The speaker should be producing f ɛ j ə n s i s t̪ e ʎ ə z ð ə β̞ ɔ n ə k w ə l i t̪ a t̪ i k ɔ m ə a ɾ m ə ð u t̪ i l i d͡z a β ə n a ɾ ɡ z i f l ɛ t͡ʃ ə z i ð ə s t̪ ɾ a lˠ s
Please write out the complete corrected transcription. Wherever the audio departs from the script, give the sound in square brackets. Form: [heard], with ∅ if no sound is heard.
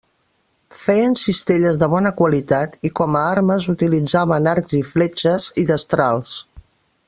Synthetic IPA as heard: f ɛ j ə n s i s t̪ e ʎ ə z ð ə β̞ ɔ n ə k w ə l i t̪ a t̪ i k ɔ m ə a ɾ m ə [z] u t̪ i l i d͡z a β ə n a ɾ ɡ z i f l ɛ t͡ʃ ə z i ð ə s t̪ ɾ a lˠ s